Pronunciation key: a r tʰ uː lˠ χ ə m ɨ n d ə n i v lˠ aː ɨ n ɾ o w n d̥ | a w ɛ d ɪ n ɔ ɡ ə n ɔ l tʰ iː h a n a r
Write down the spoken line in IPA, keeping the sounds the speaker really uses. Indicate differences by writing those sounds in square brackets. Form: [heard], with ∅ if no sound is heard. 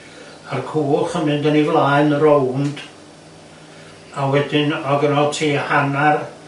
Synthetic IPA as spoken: a r [kʰ] uː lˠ χ ə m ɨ n d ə n i v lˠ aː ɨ n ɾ o w n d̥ | a w ɛ d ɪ n ɔ ɡ ə n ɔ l tʰ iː h a n a r